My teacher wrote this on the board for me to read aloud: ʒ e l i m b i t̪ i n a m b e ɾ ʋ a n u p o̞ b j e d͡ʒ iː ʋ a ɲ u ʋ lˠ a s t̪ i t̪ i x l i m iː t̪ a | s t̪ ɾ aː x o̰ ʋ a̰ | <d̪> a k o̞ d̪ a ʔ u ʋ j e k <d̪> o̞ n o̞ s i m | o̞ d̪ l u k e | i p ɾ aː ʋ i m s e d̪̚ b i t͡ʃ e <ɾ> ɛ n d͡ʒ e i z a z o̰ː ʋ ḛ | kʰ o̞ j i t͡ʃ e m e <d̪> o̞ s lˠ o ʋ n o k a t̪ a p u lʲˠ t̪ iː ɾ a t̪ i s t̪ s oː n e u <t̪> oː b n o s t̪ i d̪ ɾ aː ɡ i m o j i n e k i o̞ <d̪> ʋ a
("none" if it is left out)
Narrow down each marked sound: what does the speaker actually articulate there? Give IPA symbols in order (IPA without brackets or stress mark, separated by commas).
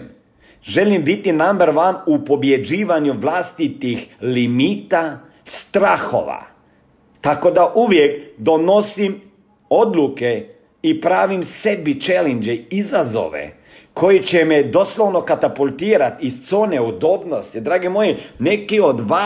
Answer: t̪, d̪, l, d̪, d̪, d̪